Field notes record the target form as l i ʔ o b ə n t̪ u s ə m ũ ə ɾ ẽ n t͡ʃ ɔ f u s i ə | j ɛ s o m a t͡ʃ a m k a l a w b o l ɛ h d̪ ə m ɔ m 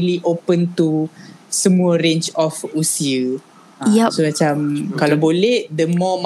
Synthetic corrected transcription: l i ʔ o p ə n t̪ u s ə m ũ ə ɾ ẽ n t͡ʃ ɔ f u s i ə | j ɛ s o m a t͡ʃ a m k a l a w b o l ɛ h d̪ ə m ɔ m